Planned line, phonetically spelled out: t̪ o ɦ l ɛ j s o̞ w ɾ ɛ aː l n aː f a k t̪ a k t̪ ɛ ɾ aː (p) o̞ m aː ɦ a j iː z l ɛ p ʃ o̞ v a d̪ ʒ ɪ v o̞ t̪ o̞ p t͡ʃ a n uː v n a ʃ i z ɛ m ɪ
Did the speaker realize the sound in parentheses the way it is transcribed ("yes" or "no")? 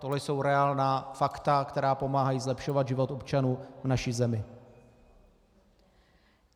yes